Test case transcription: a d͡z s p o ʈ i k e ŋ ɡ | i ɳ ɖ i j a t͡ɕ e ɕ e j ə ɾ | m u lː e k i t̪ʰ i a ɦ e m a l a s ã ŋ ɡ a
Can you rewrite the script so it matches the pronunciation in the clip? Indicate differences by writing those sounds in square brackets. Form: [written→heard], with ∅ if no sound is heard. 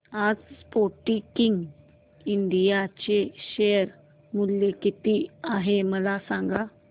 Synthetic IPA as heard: a d͡z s p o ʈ i k [e→i] ŋ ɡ | i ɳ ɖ i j a t͡ɕ e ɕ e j ə ɾ | m u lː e k i [t̪ʰ→t̪] i a ɦ e m [a→ə] l a s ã ŋ ɡ a